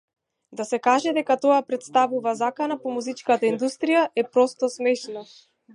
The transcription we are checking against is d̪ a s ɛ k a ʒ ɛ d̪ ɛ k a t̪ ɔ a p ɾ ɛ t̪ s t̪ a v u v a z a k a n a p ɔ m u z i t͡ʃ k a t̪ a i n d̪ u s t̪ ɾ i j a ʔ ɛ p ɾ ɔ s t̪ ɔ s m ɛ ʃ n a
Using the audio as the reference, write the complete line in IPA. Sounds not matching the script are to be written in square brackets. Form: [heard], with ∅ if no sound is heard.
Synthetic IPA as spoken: d̪ a s ɛ k a ʒ ɛ d̪ ɛ k a t̪ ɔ a p ɾ ɛ t̪ s t̪ a v u v a z a k a n a p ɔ m u z i t͡ʃ k a t̪ a i n d̪ u s t̪ ɾ i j a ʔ ɛ p ɾ ɔ s t̪ ɔ s m ɛ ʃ n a